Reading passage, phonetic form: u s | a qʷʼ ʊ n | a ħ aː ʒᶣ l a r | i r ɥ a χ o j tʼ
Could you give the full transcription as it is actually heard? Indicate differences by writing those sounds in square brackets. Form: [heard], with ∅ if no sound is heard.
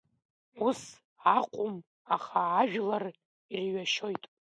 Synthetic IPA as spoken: u s | a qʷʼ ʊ [m] | a [χ] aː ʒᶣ l a r | i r ɥ a [ʃ] o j tʼ